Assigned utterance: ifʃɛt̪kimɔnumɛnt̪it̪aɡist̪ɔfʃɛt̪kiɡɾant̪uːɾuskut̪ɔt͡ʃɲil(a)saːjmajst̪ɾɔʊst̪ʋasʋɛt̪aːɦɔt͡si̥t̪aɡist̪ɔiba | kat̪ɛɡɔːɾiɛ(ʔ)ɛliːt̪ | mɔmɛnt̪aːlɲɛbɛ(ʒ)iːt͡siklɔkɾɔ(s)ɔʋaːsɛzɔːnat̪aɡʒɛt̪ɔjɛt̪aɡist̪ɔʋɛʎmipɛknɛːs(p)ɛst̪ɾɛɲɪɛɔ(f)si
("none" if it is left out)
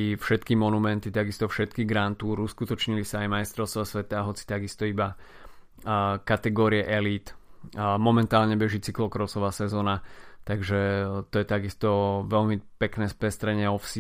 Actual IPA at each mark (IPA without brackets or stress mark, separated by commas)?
i, ʔ, ʒ, s, p, f